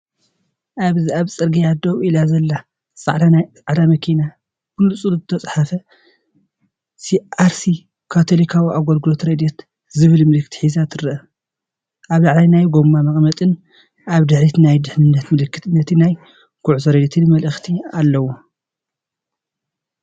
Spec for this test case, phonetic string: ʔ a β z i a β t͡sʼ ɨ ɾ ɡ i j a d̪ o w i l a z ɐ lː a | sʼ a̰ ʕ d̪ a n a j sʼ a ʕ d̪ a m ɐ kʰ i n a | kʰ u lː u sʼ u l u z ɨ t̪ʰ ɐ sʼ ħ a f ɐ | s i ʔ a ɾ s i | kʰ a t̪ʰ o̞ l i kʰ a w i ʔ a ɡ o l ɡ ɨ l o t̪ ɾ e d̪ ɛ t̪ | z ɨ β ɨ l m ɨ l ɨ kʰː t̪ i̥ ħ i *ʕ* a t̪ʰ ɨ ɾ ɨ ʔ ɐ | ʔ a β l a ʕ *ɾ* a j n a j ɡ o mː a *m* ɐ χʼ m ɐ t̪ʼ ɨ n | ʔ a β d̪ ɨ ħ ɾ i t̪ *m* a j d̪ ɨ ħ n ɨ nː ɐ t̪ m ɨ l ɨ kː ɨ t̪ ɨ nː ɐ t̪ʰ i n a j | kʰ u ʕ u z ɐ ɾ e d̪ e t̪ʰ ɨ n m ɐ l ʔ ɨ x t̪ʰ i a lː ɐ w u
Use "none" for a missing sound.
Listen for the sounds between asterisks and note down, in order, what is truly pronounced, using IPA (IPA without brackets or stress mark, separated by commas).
z, l, m, n